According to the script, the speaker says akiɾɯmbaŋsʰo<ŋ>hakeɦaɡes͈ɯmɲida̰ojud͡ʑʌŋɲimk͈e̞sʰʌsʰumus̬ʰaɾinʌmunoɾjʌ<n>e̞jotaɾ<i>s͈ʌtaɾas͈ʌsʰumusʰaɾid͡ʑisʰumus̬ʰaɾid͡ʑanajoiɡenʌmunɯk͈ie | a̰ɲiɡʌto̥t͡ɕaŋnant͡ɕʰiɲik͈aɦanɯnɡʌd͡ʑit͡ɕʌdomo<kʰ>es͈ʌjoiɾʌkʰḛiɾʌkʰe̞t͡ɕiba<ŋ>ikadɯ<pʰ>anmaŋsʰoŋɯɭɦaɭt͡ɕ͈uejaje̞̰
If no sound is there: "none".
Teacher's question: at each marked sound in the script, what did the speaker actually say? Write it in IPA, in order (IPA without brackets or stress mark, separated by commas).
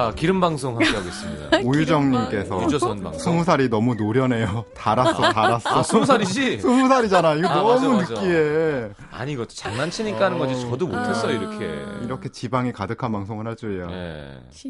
ŋ, n, a, tʰ, ŋ, kʰ